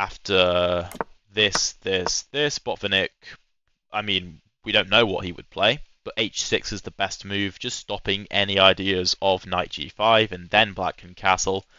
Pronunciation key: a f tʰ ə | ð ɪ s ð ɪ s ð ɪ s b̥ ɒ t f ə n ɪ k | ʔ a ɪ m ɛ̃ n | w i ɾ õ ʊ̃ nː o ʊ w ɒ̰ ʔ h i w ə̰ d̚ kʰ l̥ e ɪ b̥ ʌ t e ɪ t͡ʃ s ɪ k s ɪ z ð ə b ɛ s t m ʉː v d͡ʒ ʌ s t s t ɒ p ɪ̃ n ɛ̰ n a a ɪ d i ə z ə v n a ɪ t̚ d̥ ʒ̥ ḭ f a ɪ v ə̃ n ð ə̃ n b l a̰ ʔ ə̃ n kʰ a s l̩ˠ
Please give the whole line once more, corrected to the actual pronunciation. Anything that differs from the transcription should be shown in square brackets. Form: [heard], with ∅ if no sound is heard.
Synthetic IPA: a f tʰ ə | ð ɪ s ð ɪ s ð ɪ s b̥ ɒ t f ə n ɪ k | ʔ a ɪ m [ĩ] n | w i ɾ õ ʊ̃ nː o ʊ w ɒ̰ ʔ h i w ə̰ d̚ [pʰ] l̥ e ɪ b̥ ʌ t e ɪ t͡ʃ s ɪ k s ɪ z ð ə b ɛ s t m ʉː v d͡ʒ ʌ s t s t ɒ p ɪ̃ [ŋ] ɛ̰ n [i] a ɪ d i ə z ə v n a ɪ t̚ d̥ ʒ̥ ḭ f a ɪ v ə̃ n ð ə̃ n b l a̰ [k] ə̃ n kʰ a s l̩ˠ